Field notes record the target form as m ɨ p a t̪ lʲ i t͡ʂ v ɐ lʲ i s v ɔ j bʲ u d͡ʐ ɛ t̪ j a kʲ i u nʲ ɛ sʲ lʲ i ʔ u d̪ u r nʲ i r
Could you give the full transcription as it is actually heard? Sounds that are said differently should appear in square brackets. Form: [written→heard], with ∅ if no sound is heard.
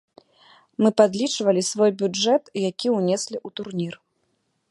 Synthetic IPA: m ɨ p a [t̪→d̪] lʲ i t͡ʂ v ɐ lʲ i s v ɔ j bʲ u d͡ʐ ɛ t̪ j a kʲ i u nʲ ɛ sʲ lʲ i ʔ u [d̪→t̪] u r nʲ i r